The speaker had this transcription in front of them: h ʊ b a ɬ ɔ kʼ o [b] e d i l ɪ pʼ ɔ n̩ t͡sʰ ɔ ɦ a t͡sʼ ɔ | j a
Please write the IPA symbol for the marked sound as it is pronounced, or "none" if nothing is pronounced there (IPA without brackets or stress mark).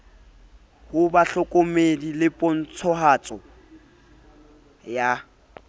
m